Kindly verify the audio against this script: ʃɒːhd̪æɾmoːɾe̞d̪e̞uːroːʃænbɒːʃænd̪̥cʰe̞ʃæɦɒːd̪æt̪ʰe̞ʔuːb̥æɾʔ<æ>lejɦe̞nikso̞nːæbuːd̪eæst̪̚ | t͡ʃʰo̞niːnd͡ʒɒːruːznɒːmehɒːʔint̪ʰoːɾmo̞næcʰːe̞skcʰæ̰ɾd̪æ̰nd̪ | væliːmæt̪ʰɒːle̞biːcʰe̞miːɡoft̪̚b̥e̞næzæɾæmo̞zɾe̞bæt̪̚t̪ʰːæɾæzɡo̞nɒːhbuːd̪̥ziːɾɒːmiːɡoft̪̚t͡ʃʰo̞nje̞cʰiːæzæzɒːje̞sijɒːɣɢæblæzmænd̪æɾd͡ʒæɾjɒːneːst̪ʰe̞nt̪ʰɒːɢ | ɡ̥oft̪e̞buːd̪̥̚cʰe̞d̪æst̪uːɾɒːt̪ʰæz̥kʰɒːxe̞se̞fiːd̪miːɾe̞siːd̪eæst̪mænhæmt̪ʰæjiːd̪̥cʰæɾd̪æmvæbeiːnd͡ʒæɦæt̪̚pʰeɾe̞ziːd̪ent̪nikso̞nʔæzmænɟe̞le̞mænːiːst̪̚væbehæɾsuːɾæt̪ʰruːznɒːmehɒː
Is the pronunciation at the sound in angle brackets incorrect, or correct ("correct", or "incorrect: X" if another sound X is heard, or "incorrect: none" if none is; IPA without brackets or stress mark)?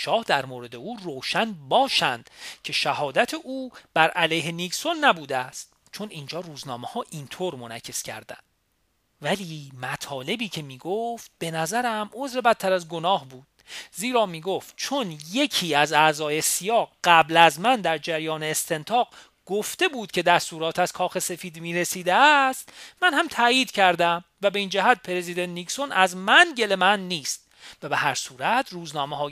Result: correct